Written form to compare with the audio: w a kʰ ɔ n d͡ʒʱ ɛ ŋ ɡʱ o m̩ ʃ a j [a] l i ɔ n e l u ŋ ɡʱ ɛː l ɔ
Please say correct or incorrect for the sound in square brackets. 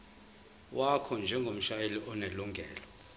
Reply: incorrect